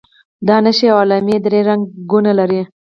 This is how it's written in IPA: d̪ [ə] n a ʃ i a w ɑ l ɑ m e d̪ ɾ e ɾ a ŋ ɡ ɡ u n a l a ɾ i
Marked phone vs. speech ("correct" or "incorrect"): incorrect